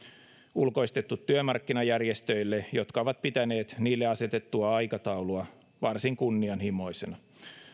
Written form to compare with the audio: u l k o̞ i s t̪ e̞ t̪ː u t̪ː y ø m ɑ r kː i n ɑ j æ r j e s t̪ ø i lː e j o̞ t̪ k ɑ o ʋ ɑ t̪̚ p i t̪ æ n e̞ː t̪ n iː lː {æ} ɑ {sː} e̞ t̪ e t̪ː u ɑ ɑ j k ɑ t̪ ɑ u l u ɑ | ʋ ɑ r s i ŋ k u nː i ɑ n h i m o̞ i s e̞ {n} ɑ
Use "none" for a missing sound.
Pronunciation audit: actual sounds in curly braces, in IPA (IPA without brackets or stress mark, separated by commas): e, s, n